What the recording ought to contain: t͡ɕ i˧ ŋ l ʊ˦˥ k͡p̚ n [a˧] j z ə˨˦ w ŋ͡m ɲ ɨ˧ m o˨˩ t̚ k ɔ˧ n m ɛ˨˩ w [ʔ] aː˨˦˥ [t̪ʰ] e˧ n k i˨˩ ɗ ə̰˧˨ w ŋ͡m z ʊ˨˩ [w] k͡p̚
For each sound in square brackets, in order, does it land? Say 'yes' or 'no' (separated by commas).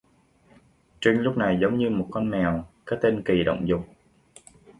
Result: no, no, no, no